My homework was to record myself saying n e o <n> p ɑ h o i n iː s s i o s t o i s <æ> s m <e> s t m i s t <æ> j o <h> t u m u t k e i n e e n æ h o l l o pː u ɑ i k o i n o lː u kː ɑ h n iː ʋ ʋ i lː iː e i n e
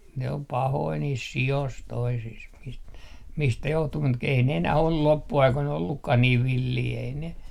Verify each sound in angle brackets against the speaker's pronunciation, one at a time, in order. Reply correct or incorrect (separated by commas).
incorrect, incorrect, incorrect, correct, correct